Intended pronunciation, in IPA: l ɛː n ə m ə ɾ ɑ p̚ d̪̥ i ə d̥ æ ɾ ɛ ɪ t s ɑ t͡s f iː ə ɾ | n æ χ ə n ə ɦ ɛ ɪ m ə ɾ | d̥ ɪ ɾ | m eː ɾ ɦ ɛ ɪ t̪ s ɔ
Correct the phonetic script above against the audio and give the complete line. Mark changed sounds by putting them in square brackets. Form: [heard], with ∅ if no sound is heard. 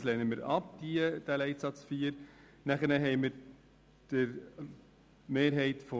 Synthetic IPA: l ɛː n ə m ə ɾ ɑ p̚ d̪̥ i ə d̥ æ [l] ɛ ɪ t s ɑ t͡s f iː ə ɾ | n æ χ ə n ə ɦ ɛ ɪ m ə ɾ | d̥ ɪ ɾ | m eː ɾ ɦ ɛ ɪ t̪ [f] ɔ